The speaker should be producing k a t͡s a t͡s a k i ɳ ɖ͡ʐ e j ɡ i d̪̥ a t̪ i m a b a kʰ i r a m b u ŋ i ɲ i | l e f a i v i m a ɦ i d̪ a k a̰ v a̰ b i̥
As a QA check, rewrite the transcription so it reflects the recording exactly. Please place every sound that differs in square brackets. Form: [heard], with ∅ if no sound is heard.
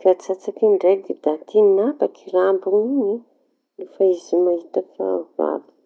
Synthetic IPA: k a t͡s a t͡s a k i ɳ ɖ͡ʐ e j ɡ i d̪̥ a t̪ i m a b a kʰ i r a m b u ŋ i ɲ i | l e f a i [z] i m a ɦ i [t̪] a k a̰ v a̰ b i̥